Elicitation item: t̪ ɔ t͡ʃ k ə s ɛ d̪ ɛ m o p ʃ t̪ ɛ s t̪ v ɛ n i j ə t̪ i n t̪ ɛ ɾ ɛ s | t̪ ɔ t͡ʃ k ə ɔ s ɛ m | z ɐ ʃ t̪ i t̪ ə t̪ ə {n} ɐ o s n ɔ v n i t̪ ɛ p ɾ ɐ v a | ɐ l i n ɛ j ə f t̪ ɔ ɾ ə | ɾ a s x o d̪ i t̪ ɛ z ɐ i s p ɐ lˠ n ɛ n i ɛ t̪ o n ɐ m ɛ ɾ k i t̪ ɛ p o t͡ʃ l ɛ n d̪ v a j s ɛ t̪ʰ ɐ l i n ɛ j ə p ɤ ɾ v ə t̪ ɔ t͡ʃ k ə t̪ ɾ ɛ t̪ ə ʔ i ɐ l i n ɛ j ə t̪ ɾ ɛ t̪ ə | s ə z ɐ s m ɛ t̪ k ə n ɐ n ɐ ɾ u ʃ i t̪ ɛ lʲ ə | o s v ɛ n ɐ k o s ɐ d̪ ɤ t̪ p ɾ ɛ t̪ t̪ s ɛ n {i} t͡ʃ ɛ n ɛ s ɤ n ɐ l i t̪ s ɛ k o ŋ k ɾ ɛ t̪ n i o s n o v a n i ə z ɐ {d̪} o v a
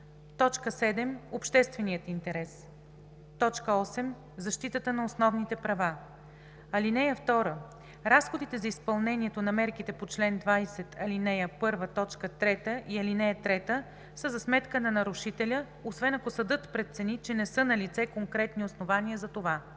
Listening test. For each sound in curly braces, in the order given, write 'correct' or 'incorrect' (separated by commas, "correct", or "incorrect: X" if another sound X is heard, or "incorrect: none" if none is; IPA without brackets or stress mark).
correct, correct, incorrect: t̪